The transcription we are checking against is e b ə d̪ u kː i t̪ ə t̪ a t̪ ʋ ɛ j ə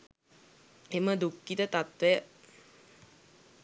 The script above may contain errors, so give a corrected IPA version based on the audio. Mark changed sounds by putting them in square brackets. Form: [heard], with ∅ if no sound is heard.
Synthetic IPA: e [m] ə d̪ u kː i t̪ ə t̪ a t̪ ʋ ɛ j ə

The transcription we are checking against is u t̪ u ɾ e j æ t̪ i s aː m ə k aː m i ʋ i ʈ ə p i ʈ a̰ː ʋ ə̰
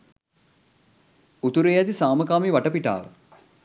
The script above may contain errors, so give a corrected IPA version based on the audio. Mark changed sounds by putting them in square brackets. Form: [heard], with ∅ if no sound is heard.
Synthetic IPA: u t̪ u ɾ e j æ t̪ i s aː m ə k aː m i ʋ [a] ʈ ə p i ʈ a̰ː ʋ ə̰

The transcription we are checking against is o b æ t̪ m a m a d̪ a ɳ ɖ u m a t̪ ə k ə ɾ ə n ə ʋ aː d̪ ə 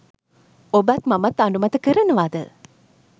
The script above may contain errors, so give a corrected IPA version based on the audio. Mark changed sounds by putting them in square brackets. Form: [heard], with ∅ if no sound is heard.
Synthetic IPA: o b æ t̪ m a m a [t̪] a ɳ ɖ u m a t̪ ə k ə ɾ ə n ə ʋ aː d̪ ə

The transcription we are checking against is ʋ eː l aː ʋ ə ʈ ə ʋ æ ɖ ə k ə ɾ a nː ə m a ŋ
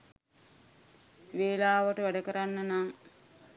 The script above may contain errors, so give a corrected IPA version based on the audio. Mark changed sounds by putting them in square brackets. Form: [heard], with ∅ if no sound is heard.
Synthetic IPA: ʋ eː l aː ʋ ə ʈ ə ʋ æ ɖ ə k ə ɾ a nː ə [n] a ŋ

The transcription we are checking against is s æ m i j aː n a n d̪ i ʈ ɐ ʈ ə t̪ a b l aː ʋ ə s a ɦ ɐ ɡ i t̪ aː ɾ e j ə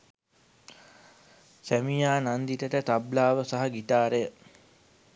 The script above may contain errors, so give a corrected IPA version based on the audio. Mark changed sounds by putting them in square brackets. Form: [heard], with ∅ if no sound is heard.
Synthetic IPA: s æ m i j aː n a n d̪ i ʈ [ə] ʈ ə t̪ a b l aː ʋ ə s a ɦ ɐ ɡ i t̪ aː ɾ e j ə

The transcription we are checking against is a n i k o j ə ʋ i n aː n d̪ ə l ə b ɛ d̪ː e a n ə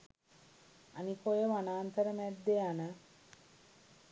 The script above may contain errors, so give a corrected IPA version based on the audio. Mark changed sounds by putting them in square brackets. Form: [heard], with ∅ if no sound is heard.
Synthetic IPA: a n i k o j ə ʋ [a] n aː n [t̪] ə [ɾ] ə [m] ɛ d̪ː e a n ə

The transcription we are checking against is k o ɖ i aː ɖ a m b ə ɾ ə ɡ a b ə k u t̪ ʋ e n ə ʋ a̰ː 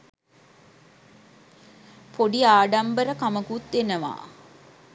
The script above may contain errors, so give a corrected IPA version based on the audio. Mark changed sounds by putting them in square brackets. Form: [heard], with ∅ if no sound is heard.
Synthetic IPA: [p] o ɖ i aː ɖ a m b ə ɾ ə [k] a [m] ə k u t̪ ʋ e n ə ʋ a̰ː

